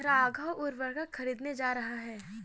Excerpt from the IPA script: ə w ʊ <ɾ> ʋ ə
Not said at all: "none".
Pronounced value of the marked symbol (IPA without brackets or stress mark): ɾ